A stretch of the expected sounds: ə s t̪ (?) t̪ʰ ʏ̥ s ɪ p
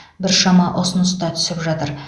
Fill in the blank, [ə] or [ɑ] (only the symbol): ɑ